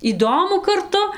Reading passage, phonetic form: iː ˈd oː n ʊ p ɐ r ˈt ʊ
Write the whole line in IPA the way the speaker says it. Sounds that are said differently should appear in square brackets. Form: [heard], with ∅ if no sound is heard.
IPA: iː ˈd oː [m] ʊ [k] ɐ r ˈt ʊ